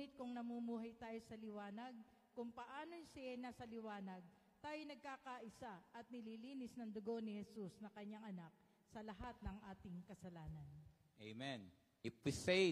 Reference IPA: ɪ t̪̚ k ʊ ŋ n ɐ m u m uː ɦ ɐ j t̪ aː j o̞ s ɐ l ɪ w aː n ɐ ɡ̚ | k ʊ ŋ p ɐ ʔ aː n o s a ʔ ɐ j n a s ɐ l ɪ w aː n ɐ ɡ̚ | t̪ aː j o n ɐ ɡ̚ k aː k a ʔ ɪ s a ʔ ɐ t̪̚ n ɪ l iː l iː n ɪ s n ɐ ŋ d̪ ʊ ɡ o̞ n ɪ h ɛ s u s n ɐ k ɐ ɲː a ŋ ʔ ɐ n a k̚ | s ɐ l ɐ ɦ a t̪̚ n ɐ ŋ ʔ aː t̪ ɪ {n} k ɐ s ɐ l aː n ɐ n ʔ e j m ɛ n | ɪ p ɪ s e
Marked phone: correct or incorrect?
incorrect